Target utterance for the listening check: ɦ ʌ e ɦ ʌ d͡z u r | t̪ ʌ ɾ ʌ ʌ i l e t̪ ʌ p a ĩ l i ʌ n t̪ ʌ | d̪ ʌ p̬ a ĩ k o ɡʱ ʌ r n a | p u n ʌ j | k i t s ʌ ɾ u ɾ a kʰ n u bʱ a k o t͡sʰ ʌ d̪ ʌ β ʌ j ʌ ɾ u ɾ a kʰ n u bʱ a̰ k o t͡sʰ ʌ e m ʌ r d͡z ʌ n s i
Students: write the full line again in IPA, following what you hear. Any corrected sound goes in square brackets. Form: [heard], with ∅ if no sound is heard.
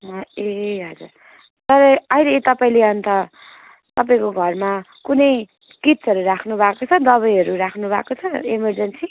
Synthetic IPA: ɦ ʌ e ɦ ʌ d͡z u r | t̪ ʌ ɾ ʌ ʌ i l e t̪ ʌ p a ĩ l [e] ʌ n t̪ ʌ | [t̪] ʌ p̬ a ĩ k o ɡʱ ʌ r [m] a | [k] u n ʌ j | k i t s ʌ ɾ u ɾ a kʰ n u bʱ a k o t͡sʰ ʌ d̪ ʌ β ʌ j ʌ ɾ u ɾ a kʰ n u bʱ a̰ k o t͡sʰ ʌ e m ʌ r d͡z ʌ n s i